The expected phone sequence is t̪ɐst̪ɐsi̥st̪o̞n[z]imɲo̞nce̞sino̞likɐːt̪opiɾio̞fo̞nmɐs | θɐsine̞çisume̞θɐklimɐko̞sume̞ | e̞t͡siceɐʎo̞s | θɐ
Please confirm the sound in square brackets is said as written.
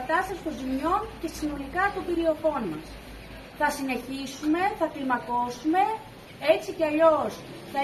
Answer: yes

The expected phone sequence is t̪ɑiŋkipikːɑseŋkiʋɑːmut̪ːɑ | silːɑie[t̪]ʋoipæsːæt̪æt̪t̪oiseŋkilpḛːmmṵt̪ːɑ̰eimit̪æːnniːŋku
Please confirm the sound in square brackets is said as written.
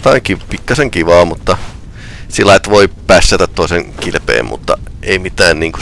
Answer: yes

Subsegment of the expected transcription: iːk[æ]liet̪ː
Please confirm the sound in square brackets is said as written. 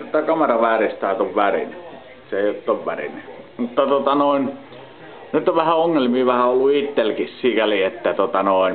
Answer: yes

